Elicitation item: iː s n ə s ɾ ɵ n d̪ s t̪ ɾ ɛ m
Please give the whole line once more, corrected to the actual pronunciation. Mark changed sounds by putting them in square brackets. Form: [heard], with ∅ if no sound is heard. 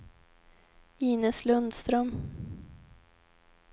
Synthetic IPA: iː [∅] n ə s [l] ɵ n d̪ s t̪ ɾ [œ] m